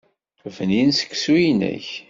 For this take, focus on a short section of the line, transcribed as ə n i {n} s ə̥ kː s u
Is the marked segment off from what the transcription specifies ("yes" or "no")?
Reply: no